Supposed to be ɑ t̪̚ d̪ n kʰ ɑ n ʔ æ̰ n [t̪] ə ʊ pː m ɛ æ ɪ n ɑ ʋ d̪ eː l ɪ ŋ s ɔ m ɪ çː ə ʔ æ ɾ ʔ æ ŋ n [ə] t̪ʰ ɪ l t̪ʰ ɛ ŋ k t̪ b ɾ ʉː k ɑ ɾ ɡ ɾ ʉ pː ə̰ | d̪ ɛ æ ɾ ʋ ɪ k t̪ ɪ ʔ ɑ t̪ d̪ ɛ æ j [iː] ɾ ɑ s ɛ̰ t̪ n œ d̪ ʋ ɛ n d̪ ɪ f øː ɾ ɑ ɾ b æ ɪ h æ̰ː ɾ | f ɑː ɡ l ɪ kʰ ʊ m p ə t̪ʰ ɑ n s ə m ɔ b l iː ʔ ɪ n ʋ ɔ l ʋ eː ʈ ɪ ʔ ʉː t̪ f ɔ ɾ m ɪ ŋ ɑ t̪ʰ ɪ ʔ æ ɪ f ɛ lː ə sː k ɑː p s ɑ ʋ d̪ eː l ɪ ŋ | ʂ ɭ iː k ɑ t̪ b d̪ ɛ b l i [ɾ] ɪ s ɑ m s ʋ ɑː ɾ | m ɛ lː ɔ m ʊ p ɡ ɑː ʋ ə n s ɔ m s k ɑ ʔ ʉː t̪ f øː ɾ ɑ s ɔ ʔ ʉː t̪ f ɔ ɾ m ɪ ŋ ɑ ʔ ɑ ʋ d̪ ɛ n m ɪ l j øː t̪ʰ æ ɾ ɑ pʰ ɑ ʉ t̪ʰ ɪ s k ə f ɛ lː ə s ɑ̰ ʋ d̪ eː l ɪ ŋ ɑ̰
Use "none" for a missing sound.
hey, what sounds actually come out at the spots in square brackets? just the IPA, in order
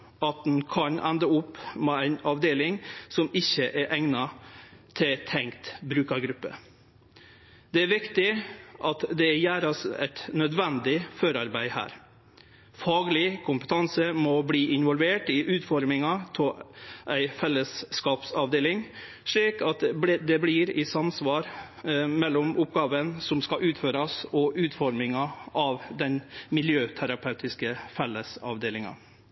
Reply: d̪, ɑ, æː, ɾ

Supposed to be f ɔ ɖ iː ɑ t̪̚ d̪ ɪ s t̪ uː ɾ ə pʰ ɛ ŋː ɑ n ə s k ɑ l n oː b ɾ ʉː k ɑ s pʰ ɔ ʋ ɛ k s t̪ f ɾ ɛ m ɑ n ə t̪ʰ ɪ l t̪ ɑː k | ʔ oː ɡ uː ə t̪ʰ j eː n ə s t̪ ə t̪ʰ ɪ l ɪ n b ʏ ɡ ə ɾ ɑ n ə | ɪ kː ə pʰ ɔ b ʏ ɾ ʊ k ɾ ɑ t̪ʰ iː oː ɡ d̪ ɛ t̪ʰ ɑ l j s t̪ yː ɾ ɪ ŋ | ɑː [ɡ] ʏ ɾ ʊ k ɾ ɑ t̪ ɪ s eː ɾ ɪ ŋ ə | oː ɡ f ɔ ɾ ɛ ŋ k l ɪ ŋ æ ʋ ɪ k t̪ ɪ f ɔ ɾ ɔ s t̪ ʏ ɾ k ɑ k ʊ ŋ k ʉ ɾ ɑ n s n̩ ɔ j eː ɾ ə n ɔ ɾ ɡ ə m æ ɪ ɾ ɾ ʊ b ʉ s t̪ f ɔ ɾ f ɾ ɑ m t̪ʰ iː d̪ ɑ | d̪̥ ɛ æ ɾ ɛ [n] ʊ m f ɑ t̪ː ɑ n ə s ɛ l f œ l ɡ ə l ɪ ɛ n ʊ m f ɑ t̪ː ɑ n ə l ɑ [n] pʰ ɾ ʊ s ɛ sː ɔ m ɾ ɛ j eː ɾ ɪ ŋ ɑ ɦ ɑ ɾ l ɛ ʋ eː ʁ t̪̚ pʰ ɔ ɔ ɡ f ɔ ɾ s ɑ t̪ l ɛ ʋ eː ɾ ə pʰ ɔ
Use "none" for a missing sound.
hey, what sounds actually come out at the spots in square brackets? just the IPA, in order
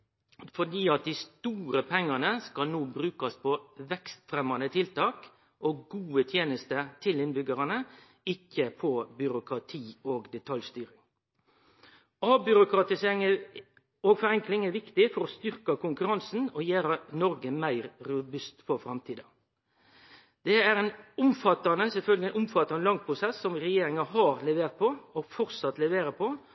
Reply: b, n, ŋ

